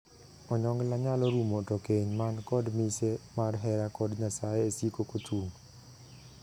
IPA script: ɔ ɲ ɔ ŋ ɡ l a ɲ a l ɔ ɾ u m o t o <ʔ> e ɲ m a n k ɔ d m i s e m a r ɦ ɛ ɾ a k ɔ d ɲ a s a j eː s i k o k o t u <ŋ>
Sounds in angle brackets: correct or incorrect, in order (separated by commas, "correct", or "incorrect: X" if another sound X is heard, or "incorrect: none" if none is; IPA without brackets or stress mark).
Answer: incorrect: k, correct